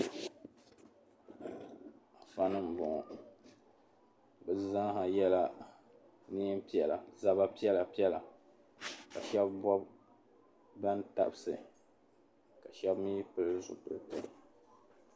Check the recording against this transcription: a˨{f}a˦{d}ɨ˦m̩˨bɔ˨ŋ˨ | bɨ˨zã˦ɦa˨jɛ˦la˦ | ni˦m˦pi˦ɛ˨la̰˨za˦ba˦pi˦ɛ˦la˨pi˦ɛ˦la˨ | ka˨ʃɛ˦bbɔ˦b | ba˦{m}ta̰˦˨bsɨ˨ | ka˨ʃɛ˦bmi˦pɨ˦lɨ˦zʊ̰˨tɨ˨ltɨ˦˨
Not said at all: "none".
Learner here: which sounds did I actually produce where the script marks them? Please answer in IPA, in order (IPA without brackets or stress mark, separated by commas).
f, n, n